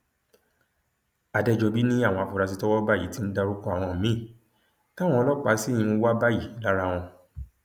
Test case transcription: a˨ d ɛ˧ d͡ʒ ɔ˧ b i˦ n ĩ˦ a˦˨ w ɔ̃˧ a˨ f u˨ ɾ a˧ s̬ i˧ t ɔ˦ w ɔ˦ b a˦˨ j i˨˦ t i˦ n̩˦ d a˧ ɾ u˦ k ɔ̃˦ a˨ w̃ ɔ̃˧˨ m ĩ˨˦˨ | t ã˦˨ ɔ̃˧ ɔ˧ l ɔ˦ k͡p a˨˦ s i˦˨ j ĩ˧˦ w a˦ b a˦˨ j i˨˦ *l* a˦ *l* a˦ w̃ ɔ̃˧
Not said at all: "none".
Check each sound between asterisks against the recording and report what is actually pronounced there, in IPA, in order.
l, ɾ

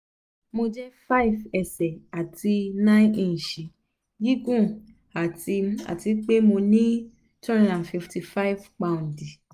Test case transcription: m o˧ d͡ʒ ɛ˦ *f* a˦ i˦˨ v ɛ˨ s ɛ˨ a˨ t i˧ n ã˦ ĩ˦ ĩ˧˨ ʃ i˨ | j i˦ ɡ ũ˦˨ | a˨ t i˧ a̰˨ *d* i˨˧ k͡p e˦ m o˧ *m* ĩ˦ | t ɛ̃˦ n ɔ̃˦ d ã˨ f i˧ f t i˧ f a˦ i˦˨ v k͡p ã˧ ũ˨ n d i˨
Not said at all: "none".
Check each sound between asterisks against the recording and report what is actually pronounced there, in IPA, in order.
f, t, n

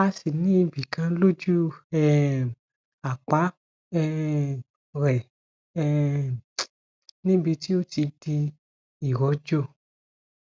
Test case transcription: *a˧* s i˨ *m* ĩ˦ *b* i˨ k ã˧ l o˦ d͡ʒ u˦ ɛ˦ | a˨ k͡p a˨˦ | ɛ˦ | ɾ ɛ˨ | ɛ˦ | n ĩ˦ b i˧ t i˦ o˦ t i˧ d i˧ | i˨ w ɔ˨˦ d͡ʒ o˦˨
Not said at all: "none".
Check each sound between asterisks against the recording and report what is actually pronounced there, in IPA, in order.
a˧, n, b

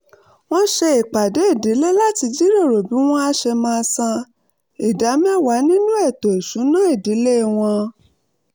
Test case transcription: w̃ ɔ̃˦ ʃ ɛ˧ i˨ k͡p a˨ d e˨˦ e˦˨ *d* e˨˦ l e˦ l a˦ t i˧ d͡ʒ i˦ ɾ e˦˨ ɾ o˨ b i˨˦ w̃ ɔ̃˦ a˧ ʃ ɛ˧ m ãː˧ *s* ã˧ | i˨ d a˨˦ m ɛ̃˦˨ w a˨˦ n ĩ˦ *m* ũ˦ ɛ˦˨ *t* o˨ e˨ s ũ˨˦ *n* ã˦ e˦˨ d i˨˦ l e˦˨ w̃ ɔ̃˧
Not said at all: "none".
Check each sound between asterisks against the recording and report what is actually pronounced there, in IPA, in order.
d, s, n, t, n

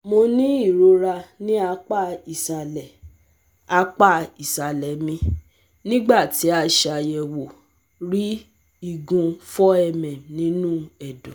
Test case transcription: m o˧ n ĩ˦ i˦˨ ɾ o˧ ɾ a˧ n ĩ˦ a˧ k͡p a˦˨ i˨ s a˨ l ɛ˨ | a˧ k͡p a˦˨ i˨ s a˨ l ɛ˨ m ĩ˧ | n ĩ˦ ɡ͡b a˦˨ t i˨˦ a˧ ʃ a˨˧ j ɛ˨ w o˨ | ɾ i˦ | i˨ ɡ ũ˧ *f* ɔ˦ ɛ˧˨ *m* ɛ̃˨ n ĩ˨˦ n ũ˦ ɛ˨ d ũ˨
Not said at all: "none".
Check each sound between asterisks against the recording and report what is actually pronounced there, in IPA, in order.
f, m

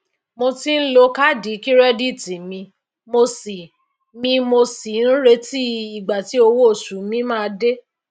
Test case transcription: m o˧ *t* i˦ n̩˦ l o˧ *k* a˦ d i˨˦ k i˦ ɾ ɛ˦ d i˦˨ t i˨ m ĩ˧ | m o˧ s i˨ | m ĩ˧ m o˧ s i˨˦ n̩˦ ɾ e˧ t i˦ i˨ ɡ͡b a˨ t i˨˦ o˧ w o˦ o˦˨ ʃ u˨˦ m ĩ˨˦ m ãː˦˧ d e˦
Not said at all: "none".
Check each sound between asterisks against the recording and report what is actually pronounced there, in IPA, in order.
t, k

